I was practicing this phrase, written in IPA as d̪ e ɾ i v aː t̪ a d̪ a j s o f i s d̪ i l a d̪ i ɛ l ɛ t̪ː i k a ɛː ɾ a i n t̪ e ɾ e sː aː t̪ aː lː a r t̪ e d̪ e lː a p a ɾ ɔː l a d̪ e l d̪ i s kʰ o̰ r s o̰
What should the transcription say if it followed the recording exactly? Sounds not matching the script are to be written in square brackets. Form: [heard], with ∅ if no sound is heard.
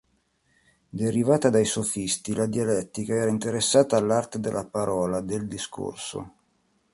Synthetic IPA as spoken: d̪ e ɾ i v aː t̪ a d̪ a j s o f i s [t̪] i l a d̪ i [a] l ɛ t̪ː i k a ɛː ɾ a i n t̪ e ɾ e sː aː t̪ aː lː a r t̪ e d̪ e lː a p a ɾ ɔː l a d̪ e l d̪ i s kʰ o̰ r s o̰